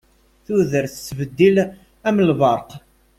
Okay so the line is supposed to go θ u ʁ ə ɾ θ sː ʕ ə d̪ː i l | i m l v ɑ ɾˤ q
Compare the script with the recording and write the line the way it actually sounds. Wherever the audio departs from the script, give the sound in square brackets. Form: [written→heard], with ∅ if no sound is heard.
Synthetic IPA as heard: θ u [ʁ→ð] ə ɾ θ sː [ʕ→v] ə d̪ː i l | [i→æ] m l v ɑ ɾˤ q